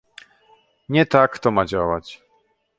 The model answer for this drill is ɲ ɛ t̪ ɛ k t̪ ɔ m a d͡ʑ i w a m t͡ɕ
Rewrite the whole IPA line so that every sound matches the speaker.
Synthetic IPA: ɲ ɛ t̪ a k t̪ ɔ m a d͡ʑ a w a t͡ɕ

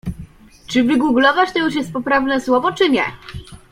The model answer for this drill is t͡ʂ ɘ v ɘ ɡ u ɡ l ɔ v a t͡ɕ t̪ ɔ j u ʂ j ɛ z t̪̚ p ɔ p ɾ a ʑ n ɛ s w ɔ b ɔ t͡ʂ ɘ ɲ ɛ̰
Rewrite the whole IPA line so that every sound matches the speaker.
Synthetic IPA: t͡ʂ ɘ v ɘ ɡ u ɡ l ɔ v a t͡ɕ t̪ ɔ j u ʂ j ɛ s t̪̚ p ɔ p ɾ a v n ɛ s w ɔ v ɔ t͡ʂ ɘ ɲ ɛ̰

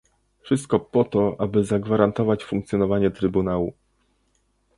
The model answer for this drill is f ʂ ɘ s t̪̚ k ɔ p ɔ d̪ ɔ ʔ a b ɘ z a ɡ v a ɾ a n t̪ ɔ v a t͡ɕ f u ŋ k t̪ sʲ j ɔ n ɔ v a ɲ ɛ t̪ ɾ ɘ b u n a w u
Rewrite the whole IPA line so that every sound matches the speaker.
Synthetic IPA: f ʂ ɘ s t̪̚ k ɔ p ɔ t̪ ɔ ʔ a b ɘ z a ɡ v a ɾ a n t̪ ɔ v a t͡ɕ f u ŋ k t̪ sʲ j ɔ n ɔ v a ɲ ɛ t̪ ɾ ɘ b u n a w u

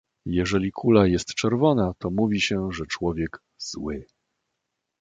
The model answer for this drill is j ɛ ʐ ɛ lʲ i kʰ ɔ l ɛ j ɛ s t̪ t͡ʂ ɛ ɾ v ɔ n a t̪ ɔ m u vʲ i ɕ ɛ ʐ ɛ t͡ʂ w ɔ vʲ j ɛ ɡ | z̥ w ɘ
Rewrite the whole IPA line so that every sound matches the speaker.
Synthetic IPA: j ɛ ʐ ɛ lʲ i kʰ u l a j ɛ s t̪ t͡ʂ ɛ ɾ v ɔ n a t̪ ɔ m u vʲ i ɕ ɛ ʐ ɛ t͡ʂ w ɔ vʲ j ɛ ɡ | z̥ w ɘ

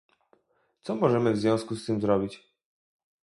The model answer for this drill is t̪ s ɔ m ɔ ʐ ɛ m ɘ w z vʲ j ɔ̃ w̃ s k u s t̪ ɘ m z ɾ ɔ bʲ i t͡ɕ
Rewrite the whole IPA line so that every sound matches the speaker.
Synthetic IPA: t̪ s ɔ m ɔ ʐ ɛ m ɘ v z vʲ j ɔ̃ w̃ s k u s t̪ ɘ m z ɾ ɔ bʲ i t͡ɕ

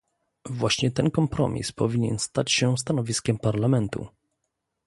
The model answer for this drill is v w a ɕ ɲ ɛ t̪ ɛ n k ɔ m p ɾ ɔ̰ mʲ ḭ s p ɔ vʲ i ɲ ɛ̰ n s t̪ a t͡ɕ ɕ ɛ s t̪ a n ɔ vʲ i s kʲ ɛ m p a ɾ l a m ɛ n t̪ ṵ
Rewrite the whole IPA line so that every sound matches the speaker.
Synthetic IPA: v w a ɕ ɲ ɛ t̪ ɛ n k ɔ m p ɾ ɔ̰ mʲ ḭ s p ɔ vʲ i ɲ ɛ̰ n s t̪ a t͡ɕ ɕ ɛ s t̪ a n ɔ vʲ i s kʲ ɛ m p a ɾ l a m ɛ n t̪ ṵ

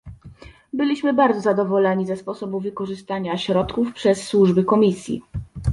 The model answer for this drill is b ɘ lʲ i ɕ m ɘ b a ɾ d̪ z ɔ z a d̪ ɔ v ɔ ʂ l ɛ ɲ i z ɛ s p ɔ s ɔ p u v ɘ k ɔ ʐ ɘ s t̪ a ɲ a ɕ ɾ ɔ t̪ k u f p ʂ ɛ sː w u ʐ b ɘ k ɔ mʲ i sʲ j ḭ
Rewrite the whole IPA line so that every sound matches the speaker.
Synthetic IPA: b ɘ lʲ i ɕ m ɘ b a ɾ d̪ z ɔ z a d̪ ɔ v ɔ l ɛ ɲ i z ɛ s p ɔ s ɔ b u v ɘ k ɔ ʐ ɘ s t̪ a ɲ a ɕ ɾ ɔ t̪ k u f p ʂ ɛ sː w u ʐ b ɘ k ɔ mʲ i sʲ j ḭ

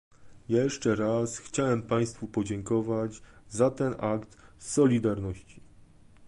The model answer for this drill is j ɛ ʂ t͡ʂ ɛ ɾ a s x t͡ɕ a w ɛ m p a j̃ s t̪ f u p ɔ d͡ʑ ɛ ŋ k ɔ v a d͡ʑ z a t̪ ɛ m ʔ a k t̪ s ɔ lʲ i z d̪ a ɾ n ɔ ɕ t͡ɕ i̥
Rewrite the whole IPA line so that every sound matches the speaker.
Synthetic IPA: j ɛ ʂ t͡ʂ ɛ ɾ a s x t͡ɕ a w ɛ m p a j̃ s t̪ f u p ɔ d͡ʑ ɛ ŋ k ɔ v a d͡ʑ z a t̪ ɛ n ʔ a k t̪ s ɔ lʲ i d̪ a ɾ n ɔ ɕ t͡ɕ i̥

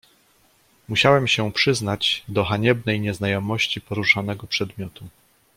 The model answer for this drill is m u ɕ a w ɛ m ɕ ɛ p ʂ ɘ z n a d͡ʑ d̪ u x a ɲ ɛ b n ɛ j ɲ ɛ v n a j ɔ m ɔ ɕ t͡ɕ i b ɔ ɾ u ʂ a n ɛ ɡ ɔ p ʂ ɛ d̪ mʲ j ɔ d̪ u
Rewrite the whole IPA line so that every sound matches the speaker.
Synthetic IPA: m u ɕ a w ɛ m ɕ ɛ p ʂ ɘ z n a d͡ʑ d̪ ɔ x a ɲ ɛ b n ɛ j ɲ ɛ z n a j ɔ m ɔ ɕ t͡ɕ i p ɔ ɾ u ʂ a n ɛ ɡ ɔ p ʂ ɛ d̪ mʲ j ɔ t̪ u

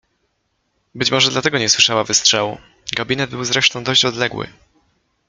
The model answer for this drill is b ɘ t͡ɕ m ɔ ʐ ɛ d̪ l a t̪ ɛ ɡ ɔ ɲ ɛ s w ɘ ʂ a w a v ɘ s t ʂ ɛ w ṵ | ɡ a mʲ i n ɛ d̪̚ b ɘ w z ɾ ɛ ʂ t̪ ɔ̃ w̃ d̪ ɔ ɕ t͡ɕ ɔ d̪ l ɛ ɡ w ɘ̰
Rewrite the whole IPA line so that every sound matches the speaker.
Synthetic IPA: b ɘ t͡ɕ m ɔ ʐ ɛ d̪ l a t̪ ɛ ɡ ɔ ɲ ɛ s w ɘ ʂ a w a v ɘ s t ʂ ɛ w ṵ | ɡ a bʲ i n ɛ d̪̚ b ɘ w z ɾ ɛ ʂ t̪ ɔ̃ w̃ d̪ ɔ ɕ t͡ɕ ɔ d̪ l ɛ ɡ w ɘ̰

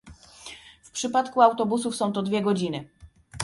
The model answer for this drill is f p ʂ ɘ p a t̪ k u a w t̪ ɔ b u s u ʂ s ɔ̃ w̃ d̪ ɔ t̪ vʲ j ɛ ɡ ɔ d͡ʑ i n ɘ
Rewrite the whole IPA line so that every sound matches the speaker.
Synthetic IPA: f p ʂ ɘ p a t̪ k u a w t̪ ɔ b u s u f s ɔ̃ w̃ t̪ ɔ d̪ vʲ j ɛ ɡ ɔ d͡ʑ i n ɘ

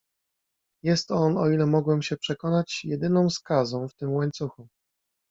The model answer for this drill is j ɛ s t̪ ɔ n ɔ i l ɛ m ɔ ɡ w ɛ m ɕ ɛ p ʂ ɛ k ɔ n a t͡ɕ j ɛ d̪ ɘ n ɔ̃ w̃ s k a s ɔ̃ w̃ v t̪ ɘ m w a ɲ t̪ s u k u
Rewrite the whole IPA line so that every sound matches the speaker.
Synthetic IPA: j ɛ s t̪ ɔ n ɔ i l ɛ m ɔ ɡ w ɛ m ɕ ɛ p ʂ ɛ k ɔ n a t͡ɕ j ɛ d̪ ɘ n ɔ̃ w̃ s k a z ɔ̃ w̃ f t̪ ɘ m w a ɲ t̪ s u x u

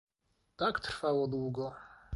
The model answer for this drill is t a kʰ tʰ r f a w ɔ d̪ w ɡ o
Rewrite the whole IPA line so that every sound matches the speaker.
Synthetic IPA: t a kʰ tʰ r f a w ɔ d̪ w ɡ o

